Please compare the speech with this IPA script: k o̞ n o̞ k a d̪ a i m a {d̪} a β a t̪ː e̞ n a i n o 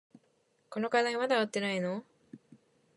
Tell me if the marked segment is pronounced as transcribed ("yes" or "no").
yes